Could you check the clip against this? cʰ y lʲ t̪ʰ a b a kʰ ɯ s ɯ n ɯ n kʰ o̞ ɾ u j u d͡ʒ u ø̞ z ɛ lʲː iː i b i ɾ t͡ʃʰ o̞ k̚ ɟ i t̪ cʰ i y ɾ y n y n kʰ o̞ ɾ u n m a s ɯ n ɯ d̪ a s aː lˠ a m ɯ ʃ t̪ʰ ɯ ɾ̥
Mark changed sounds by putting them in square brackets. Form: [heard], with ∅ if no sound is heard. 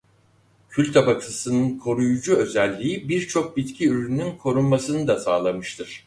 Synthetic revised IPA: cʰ y lʲ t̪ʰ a b a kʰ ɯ s ɯ n ɯ n kʰ o̞ ɾ u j u d͡ʒ u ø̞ z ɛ lʲː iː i b i ɾ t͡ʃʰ o̞ k̚ [b] i t̪ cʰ i y ɾ y n y n kʰ o̞ ɾ u n m a s ɯ n ɯ d̪ a s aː lˠ a m ɯ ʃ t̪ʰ ɯ ɾ̥